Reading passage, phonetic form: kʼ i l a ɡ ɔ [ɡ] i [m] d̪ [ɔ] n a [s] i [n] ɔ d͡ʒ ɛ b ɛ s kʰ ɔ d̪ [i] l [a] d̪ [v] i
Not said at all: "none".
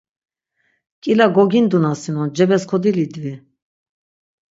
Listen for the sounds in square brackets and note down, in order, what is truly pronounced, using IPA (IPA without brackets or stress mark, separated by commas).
ɡ, n, u, s, n, i, i, v